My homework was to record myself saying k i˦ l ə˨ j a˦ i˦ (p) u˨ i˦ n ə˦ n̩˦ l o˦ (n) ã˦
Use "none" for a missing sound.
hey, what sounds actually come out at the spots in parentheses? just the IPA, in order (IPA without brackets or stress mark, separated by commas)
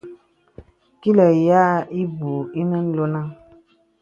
b, n